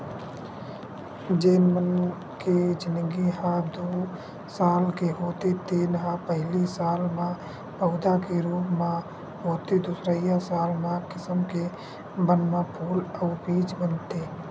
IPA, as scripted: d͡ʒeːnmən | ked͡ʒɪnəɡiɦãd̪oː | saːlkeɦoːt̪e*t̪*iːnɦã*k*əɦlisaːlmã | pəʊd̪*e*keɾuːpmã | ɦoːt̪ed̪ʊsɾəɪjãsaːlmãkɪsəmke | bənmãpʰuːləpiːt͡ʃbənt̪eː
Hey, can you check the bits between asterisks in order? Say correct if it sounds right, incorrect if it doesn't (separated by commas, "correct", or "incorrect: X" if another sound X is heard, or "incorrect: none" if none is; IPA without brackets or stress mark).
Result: correct, incorrect: p, incorrect: a